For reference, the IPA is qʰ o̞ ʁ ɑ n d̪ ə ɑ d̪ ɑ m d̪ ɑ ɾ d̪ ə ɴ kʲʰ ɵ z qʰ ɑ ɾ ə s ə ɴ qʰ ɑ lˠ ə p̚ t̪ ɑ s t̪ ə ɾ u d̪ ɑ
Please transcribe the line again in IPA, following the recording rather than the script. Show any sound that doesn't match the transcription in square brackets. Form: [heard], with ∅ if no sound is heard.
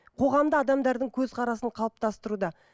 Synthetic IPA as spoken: qʰ o̞ ʁ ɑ [m] d̪ ə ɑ d̪ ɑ m d̪ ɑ ɾ d̪ ə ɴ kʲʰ ɵ z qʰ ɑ ɾ [ɑ] s ə ɴ qʰ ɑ lˠ ə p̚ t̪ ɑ s t̪ ə ɾ u d̪ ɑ

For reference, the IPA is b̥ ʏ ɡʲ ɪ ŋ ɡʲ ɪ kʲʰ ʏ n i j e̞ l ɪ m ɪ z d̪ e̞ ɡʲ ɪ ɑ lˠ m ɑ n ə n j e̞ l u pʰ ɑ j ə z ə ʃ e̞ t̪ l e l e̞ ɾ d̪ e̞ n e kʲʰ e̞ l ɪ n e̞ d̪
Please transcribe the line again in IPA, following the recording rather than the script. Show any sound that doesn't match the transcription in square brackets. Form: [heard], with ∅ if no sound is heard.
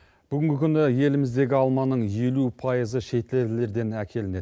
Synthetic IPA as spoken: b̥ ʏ ɡʲ ɪ ŋ ɡʲ ɪ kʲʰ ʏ n [ɪ] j e̞ l ɪ m ɪ z d̪ e̞ ɡʲ ɪ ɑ lˠ m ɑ n ə [ɴ] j e̞ l u pʰ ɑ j ə z ə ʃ e̞ t̪ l e l e̞ ɾ d̪ e̞ n [æ] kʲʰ e̞ l ɪ n e̞ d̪

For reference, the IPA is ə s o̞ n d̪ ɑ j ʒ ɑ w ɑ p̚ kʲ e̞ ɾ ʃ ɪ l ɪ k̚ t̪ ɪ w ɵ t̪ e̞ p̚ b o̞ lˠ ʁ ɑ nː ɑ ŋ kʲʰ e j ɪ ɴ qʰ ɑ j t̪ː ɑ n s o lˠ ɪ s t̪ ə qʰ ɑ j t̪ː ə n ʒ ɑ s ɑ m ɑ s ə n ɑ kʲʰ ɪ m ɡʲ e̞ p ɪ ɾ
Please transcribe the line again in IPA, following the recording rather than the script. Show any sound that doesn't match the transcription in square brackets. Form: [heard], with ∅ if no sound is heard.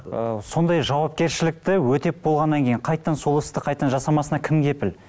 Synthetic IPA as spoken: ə s o̞ n d̪ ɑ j ʒ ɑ w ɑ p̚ kʲ e̞ ɾ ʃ ɪ l ɪ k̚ t̪ ɪ w ɵ t̪ e̞ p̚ b o̞ lˠ ʁ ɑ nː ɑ ŋ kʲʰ e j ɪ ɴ qʰ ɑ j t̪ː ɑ n s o lˠ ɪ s t̪ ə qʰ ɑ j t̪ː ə n ʒ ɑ s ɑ m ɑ s ə n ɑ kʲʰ ɪ m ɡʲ e̞ p ɪ [l]

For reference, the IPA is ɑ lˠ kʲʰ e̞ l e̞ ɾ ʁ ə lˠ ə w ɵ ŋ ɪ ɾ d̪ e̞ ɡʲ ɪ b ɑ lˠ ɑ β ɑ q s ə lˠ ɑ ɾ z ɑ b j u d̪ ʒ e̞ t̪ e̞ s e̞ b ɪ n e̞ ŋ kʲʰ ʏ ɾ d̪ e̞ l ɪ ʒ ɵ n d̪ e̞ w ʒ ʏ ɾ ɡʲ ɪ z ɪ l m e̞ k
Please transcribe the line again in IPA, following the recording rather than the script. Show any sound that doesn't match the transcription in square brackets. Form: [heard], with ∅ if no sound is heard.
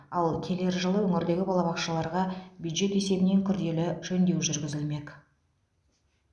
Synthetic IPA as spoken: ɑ lˠ kʲʰ e̞ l e̞ ɾ [ʒ] ə lˠ ə w ɵ ŋ ɪ ɾ d̪ e̞ ɡʲ ɪ b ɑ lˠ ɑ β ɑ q [ʃ] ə lˠ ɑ ɾ [ʁ] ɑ b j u d̪ ʒ e̞ t̪ e̞ s e̞ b ɪ n e̞ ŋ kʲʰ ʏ ɾ d̪ e̞ l ɪ ʒ ɵ n d̪ e̞ w ʒ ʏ ɾ ɡʲ ɪ z ɪ l m e̞ k

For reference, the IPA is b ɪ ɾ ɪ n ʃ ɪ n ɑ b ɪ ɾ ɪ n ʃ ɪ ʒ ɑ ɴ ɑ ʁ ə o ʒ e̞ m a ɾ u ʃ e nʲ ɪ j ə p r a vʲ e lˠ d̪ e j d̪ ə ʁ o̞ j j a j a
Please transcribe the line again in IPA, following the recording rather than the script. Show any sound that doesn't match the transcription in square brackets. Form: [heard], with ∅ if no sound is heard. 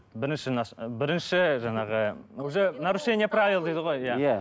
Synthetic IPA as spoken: b ɪ ɾ ɪ n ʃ ɪ n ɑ b ɪ ɾ ɪ n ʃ ɪ ʒ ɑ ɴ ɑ ʁ ə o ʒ e̞ [n] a ɾ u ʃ e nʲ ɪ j ə p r a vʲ [i] lˠ d̪ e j d̪ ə ʁ o̞ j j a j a

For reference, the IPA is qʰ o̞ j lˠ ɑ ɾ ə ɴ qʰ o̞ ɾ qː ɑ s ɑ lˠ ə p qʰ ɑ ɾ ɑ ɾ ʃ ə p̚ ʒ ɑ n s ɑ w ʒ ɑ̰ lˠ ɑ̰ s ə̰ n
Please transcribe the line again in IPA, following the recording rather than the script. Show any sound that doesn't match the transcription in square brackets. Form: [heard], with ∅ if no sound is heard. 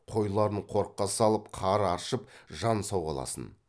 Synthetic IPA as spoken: qʰ o̞ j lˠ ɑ ɾ ə ɴ qʰ o̞ ɾ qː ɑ s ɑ lˠ ə p qʰ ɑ ɾ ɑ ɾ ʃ ə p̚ ʒ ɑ n s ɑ w [ʁ] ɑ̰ lˠ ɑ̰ s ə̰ n

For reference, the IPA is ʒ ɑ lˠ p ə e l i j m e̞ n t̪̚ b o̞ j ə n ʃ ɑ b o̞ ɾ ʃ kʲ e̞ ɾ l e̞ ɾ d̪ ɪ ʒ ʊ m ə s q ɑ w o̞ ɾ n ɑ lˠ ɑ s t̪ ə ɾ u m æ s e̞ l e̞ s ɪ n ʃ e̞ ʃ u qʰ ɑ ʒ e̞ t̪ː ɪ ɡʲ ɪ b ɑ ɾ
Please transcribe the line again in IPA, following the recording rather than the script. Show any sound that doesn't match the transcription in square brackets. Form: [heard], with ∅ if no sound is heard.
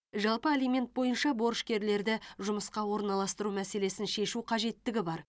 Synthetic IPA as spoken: ʒ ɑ lˠ p ə e l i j m e̞ n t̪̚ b o̞ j ə n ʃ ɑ b o̞ ɾ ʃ kʲ e̞ ɾ l e̞ ɾ d̪ ɪ ʒ ʊ m ə s q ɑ w o̞ ɾ n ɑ lˠ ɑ s t̪ ə ɾ u m æ s e̞ l e̞ s ɪ n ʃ e̞ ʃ u qʰ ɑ ʒ e̞ t̪ː ɪ ɡʲ ɪ b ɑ ɾ

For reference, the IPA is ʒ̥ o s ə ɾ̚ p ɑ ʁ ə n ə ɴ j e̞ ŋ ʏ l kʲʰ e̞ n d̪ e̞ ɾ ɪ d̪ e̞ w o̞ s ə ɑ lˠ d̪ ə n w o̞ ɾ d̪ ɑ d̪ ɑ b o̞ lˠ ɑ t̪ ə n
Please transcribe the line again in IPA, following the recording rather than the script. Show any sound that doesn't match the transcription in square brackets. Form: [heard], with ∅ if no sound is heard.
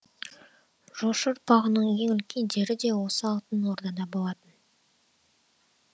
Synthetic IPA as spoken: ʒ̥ o [ʃ] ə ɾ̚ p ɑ ʁ ə n ə ɴ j e̞ ŋ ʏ l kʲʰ e̞ n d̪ e̞ ɾ ɪ d̪ e̞ w o̞ s ə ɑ lˠ [t̪] ə n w o̞ ɾ d̪ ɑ d̪ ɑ b o̞ lˠ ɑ t̪ ə n

